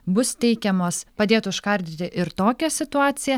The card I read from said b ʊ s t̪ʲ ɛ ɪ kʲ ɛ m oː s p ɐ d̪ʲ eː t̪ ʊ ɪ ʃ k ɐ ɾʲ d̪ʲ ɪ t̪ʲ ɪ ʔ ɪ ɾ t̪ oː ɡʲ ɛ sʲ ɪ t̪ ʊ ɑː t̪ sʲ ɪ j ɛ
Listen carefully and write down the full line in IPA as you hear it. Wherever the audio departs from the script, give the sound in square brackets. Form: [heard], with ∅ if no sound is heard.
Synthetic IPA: b ʊ s t̪ʲ ɛ ɪ kʲ ɛ m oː s p ɐ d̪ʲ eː t̪ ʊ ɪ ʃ k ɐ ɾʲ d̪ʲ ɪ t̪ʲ ɪ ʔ ɪ ɾ t̪ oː [kʲ] ɛ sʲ ɪ t̪ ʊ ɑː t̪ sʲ ɪ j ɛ